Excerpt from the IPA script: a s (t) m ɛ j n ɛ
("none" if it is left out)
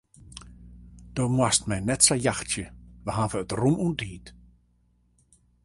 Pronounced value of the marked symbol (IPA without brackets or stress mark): t